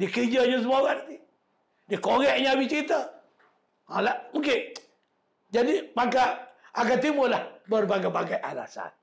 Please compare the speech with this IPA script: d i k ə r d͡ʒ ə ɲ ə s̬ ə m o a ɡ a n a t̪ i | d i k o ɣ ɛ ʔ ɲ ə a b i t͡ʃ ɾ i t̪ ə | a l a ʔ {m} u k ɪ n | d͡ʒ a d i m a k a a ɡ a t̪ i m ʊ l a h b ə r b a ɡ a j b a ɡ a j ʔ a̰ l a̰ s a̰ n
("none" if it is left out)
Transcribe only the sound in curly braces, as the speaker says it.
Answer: m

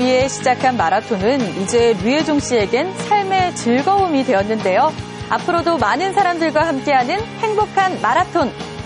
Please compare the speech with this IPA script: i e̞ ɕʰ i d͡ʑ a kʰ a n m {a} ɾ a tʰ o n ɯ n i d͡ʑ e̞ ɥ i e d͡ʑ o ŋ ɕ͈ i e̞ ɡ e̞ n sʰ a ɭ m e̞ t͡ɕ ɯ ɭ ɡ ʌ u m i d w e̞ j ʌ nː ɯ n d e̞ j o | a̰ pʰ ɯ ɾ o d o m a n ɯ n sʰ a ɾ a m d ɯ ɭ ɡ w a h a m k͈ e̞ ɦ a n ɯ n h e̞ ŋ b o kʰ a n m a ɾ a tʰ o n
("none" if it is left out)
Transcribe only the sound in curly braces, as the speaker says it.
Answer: a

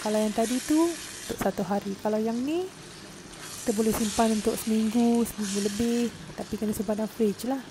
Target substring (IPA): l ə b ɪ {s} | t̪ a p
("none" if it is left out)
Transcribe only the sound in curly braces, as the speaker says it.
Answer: h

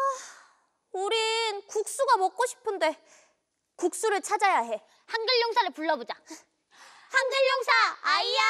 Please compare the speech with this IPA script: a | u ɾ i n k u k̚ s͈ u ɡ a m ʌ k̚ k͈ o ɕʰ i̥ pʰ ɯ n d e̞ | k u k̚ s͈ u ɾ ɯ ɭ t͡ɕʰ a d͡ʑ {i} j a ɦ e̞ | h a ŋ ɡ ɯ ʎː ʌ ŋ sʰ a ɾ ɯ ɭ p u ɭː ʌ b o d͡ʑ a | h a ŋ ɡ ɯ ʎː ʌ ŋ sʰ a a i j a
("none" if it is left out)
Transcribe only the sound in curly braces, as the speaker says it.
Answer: a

